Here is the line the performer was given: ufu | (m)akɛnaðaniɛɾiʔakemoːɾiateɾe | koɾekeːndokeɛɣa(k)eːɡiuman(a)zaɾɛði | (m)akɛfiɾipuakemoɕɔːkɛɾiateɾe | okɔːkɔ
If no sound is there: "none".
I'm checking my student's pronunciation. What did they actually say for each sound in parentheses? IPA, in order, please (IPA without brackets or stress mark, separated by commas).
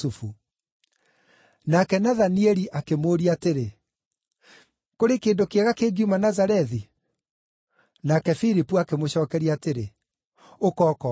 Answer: n, k, a, n